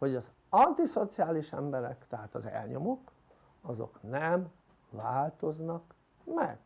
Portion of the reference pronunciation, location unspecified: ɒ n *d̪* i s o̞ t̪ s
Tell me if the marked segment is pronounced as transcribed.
no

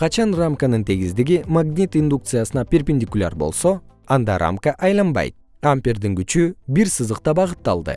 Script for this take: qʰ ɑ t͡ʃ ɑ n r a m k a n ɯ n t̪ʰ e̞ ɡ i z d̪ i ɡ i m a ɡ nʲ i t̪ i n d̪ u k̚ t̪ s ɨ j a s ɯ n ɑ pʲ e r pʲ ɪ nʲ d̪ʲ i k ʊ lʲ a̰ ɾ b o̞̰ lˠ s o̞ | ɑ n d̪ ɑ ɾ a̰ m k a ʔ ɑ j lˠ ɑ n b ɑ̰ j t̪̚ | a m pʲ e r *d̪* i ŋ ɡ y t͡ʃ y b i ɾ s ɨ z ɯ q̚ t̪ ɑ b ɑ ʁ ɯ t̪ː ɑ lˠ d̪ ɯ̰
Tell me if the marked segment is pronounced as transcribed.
yes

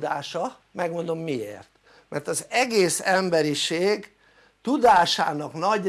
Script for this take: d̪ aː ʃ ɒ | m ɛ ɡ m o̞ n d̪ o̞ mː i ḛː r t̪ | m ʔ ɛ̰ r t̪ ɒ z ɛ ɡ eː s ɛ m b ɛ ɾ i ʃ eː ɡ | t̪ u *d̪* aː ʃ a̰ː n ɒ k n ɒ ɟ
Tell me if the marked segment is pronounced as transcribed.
yes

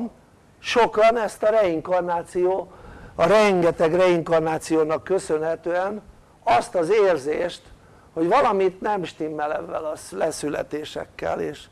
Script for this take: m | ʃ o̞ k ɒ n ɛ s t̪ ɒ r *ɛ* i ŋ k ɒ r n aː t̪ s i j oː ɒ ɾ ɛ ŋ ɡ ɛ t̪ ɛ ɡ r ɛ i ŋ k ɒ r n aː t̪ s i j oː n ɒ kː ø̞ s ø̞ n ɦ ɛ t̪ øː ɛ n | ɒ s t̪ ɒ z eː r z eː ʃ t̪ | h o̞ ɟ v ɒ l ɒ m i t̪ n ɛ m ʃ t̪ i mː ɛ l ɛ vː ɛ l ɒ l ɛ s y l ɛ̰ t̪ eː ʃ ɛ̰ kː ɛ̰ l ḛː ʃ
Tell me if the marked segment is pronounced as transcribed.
yes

